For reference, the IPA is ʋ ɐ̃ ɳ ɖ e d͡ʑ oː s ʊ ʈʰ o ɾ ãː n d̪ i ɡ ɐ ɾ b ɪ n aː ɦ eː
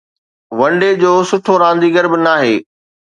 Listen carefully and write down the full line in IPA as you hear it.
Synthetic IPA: ʋ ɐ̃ ɳ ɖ e d͡ʑ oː s ʊ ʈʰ o ɾ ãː n d̪ i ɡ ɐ ɾ b ɪ n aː ɦ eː